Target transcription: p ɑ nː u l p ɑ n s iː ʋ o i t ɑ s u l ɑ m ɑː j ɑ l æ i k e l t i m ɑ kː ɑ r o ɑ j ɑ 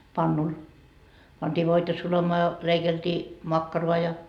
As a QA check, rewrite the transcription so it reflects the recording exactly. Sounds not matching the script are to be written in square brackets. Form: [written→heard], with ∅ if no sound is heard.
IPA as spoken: p ɑ nː u l p ɑ n [s→t] iː ʋ o i t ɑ s u l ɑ m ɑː j ɑ l [æ→e] i k e l t [i→iː] m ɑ kː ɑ r o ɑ j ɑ